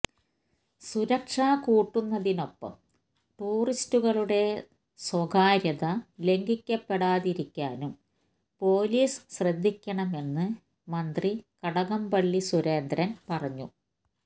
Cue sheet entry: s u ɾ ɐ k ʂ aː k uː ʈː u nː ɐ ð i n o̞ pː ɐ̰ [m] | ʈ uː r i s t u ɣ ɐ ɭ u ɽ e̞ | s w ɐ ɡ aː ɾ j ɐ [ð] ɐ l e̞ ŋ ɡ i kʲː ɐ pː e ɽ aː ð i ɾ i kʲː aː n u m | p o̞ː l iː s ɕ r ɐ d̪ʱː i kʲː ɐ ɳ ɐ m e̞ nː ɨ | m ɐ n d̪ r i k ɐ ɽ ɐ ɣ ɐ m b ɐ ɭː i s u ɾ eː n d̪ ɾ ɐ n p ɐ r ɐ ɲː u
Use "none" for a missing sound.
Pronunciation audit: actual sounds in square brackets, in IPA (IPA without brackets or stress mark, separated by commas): m, ð